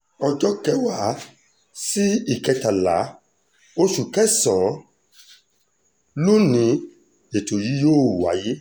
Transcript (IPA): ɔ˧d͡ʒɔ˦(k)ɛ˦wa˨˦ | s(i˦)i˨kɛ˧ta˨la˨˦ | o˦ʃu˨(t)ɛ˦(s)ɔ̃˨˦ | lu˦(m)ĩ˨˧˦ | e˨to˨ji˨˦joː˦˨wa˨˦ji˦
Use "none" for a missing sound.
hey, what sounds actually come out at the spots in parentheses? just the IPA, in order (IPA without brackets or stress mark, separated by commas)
k, i˦, k, s, n